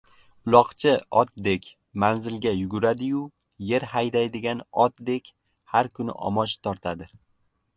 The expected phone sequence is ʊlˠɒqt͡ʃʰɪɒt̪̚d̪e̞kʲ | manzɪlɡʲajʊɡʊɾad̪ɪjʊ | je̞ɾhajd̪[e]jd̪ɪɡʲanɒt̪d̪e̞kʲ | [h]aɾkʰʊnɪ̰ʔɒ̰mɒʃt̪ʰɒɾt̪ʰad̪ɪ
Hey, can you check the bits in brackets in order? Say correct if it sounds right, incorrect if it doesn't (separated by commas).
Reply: incorrect, correct